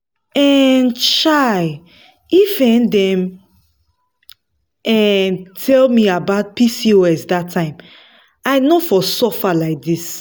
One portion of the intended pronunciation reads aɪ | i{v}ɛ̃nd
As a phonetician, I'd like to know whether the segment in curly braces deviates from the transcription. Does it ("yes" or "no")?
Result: yes